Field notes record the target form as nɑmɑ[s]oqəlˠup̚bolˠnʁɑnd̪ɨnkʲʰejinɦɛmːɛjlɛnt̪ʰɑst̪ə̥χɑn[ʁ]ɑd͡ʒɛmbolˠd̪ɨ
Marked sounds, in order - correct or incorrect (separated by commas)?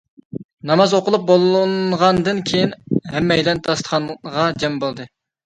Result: incorrect, correct